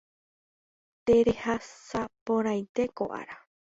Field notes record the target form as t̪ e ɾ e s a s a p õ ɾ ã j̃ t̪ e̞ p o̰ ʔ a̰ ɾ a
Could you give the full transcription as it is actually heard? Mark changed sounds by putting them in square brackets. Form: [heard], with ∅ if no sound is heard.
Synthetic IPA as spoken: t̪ e ɾ e [h] a s a p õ ɾ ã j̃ t̪ e̞ [k] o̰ ʔ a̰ ɾ a